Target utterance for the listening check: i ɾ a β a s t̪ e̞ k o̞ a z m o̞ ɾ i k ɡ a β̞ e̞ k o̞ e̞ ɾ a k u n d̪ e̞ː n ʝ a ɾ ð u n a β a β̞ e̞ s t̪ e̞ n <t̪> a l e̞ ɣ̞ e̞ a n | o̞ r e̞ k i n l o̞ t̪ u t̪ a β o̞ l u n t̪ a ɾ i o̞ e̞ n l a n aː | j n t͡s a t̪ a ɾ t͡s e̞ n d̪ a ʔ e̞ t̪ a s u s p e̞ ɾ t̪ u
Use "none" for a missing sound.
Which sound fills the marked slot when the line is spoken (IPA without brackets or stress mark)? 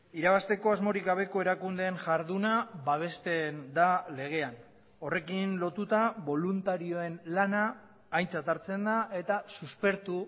d̪